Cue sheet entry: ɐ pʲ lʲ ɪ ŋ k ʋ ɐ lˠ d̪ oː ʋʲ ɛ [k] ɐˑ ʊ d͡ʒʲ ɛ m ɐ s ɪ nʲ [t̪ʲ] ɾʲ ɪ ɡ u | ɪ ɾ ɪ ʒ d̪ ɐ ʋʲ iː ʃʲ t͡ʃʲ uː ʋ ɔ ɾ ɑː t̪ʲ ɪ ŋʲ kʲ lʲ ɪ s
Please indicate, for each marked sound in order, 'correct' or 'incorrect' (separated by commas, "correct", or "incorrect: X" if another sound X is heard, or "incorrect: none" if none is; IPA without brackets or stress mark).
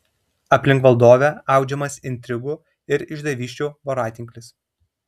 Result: incorrect: none, correct